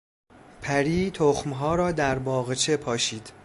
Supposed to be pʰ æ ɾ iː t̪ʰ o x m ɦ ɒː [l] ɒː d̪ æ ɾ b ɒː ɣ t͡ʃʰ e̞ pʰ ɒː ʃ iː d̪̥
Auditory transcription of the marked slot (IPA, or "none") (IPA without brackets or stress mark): ɾ